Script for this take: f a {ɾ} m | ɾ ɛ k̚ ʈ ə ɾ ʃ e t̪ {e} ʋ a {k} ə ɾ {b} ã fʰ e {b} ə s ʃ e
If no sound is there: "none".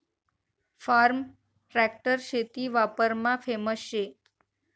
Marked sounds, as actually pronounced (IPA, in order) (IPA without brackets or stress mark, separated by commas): ɾ, i, p, m, m